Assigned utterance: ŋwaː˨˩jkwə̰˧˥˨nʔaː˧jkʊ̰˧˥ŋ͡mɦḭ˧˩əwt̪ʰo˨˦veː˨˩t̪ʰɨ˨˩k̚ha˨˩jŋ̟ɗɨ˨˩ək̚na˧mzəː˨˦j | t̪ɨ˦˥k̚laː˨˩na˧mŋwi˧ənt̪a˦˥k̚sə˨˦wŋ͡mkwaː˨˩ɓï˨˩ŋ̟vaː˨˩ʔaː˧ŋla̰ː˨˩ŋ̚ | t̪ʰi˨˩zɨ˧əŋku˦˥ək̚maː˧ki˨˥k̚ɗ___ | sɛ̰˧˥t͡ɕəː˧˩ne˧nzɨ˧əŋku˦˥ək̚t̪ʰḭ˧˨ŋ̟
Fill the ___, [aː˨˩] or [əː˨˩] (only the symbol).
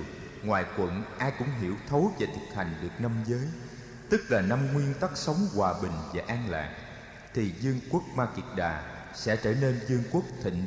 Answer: aː˨˩